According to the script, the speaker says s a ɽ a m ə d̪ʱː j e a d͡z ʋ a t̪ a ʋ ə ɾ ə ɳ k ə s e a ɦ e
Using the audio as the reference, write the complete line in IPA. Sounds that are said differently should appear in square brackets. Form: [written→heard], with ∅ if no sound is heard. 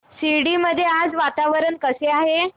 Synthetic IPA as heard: s [a→i] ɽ [a→i] m ə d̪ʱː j e a d͡z ʋ a t̪ a ʋ ə ɾ ə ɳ k ə s e a ɦ e